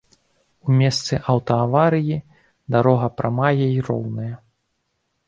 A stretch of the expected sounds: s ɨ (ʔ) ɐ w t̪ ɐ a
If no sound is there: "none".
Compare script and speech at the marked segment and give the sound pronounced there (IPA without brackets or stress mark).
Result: ʔ